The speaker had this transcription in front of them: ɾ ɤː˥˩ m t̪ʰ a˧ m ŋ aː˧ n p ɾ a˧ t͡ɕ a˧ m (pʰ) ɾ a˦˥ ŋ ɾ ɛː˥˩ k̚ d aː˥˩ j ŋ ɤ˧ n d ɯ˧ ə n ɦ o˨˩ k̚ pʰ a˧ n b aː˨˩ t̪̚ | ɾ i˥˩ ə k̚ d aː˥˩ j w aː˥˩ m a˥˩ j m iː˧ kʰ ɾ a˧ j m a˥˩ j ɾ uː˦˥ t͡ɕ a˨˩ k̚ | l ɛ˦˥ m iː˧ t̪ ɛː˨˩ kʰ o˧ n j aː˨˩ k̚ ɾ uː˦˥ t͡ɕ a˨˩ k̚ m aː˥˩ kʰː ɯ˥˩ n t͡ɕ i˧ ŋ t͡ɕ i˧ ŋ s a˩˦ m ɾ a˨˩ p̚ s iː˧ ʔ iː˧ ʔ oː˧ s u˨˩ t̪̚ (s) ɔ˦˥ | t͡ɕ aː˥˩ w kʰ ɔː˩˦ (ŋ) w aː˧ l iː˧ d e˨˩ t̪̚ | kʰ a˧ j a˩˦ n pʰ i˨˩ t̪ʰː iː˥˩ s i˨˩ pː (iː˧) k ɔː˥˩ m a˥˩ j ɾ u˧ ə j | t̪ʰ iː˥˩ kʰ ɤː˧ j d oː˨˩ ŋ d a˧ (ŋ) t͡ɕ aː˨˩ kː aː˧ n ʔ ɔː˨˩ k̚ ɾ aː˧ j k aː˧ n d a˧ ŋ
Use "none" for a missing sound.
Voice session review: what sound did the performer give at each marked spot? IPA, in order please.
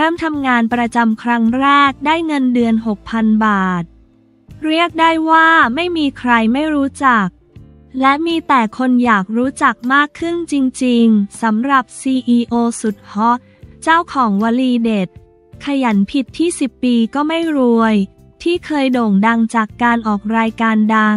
kʰ, h, ŋ, iː˧, ŋ

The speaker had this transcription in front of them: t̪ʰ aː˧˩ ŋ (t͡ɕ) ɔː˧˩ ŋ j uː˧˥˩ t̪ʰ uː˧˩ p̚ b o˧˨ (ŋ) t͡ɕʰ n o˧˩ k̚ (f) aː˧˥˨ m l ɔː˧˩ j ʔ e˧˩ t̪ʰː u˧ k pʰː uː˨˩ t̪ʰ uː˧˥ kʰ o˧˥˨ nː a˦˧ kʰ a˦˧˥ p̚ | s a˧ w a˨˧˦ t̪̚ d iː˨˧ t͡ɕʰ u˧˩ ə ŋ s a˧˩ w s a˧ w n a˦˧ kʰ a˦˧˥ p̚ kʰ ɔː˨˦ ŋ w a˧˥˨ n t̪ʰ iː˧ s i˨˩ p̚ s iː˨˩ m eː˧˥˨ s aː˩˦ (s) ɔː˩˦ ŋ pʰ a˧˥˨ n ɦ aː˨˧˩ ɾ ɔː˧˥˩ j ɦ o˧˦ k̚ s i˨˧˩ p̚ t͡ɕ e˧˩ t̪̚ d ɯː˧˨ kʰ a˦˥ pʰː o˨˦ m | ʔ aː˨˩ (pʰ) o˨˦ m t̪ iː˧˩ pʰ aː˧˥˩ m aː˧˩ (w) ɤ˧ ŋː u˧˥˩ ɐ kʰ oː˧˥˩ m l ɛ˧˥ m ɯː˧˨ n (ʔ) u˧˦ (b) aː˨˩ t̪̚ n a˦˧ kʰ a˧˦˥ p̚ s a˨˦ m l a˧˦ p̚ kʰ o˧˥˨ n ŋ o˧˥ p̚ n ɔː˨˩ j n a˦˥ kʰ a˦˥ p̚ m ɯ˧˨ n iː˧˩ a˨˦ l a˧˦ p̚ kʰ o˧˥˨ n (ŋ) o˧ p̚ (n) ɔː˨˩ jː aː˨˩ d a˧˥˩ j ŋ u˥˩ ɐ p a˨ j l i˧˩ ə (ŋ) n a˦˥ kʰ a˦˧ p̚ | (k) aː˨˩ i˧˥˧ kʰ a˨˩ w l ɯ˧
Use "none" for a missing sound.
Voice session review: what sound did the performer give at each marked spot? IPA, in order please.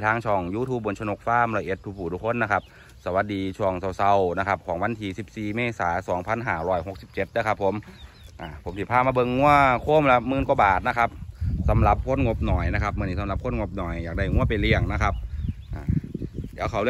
t͡ɕʰ, n, f, s, pʰ, b, k, b, ŋ, n, ŋ, ʔ

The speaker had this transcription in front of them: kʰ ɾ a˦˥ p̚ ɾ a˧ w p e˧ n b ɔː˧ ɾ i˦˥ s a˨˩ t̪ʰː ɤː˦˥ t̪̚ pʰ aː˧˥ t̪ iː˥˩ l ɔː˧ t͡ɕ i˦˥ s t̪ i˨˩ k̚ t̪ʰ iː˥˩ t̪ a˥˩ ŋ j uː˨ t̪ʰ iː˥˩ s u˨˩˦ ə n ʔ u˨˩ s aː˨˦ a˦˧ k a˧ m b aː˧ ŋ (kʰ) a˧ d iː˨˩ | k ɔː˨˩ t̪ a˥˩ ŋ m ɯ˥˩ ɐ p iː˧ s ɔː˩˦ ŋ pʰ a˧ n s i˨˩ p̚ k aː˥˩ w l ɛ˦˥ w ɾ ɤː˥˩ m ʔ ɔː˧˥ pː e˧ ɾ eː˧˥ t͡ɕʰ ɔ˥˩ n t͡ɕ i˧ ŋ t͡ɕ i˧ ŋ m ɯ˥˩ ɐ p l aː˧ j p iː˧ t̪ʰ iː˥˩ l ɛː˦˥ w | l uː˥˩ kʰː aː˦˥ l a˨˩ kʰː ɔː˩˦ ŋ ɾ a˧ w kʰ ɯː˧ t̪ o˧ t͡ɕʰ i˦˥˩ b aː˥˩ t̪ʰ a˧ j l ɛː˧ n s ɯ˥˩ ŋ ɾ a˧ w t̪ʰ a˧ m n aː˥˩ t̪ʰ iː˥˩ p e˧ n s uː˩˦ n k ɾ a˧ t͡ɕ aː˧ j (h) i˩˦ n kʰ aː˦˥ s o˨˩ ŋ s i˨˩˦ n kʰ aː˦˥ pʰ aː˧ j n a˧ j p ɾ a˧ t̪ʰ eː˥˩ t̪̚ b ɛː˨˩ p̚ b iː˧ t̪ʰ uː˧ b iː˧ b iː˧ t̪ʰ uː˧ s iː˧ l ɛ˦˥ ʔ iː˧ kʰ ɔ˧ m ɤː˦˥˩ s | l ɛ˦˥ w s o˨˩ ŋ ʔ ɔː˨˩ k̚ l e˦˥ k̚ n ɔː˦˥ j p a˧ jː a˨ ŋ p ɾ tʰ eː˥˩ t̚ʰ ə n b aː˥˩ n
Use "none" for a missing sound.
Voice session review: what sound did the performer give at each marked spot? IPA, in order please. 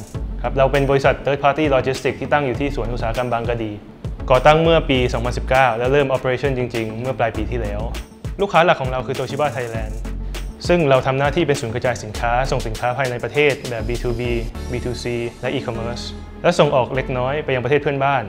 k, s

